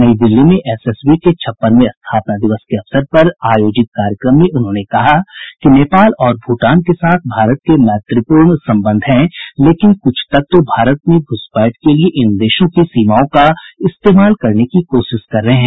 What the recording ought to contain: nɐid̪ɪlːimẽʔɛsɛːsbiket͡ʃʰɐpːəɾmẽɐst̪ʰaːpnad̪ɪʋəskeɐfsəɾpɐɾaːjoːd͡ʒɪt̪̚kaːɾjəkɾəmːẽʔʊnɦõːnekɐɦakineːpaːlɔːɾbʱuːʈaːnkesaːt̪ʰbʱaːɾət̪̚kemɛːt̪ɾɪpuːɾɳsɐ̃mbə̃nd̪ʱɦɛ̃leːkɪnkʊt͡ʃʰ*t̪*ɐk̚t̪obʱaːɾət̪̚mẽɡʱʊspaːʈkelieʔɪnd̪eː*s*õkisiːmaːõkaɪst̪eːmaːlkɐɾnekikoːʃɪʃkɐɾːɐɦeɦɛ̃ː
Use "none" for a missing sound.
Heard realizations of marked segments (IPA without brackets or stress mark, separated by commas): t̪, ʃ